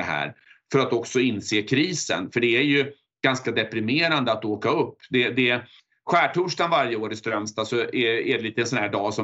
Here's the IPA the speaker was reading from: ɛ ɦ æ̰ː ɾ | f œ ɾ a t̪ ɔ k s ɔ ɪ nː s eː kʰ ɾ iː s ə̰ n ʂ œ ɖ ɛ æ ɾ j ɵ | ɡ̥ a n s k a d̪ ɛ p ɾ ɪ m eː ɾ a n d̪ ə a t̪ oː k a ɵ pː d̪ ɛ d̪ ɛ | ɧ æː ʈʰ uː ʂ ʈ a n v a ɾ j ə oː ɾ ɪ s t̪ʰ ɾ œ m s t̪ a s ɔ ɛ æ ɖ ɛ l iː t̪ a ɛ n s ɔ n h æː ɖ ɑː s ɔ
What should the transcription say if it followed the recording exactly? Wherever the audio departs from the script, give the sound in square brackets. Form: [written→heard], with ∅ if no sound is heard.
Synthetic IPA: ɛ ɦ æ̰ː ɾ | f œ ɾ a t̪ ɔ k s ɔ ɪ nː s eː kʰ ɾ iː s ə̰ n [ʂ→f] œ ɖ ɛ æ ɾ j ɵ | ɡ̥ a n s k a d̪ ɛ p ɾ ɪ m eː ɾ a n d̪ ə a t̪ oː k a ɵ pː d̪ ɛ d̪ ɛ | ɧ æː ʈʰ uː ʂ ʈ a n v a ɾ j ə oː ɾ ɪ s [t̪ʰ→t̪] ɾ œ m s t̪ a s ɔ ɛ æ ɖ ɛ l iː t̪ [a→ə] ɛ n s ɔ n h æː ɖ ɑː s ɔ